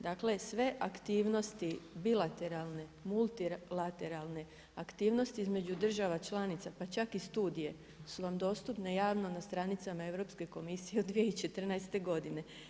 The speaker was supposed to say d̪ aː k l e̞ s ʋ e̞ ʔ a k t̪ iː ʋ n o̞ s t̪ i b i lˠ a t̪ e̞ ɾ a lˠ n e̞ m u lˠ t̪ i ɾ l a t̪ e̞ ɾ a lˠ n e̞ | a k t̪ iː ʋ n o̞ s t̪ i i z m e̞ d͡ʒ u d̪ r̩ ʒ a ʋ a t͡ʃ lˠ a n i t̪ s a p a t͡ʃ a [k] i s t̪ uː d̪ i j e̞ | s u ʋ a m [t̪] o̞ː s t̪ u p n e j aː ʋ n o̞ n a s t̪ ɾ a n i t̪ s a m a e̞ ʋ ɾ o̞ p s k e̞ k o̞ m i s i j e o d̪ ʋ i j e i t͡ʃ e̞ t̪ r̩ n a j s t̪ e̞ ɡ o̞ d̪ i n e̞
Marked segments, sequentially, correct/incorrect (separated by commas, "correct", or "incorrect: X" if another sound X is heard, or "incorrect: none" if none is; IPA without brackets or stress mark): correct, incorrect: d̪